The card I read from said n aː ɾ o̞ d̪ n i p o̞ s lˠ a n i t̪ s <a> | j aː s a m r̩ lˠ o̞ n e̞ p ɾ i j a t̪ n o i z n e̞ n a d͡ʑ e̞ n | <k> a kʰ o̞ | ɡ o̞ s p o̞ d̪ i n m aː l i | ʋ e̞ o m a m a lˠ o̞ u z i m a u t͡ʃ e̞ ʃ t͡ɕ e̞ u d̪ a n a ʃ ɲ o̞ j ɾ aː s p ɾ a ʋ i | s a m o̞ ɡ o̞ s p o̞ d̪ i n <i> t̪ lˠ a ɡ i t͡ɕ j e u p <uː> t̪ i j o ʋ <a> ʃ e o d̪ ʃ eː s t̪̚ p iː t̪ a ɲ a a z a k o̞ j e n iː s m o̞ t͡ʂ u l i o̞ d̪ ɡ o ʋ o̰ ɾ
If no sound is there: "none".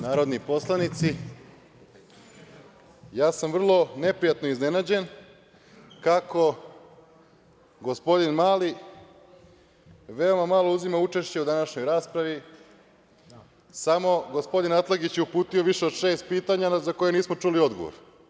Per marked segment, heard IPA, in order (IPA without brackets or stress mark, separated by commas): i, k, a, uː, i